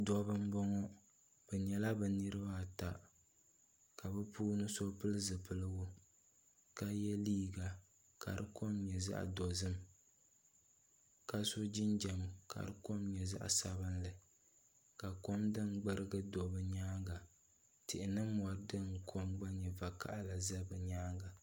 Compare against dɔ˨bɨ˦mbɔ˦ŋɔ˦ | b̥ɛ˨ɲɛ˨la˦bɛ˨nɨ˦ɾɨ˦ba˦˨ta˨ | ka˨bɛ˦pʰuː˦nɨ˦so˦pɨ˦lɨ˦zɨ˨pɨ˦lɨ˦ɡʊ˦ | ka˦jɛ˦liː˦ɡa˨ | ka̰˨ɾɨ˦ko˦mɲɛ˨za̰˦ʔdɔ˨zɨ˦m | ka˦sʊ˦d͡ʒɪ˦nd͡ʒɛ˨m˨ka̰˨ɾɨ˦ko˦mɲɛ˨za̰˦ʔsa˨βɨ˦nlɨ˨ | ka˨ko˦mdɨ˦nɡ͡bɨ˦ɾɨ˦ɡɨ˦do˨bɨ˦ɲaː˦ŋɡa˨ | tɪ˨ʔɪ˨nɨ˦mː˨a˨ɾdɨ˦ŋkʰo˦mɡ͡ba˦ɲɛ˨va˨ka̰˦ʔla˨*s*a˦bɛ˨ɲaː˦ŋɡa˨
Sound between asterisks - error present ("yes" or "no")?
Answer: yes